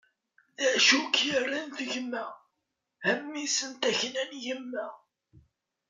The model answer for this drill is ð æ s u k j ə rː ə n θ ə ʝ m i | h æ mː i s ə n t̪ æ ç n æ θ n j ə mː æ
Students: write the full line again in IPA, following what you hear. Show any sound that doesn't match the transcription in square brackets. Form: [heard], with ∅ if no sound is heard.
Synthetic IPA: ð æ [ʃ] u k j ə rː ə n θ ə ʝ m [æ] | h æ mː i s ə n t̪ æ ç n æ [∅] n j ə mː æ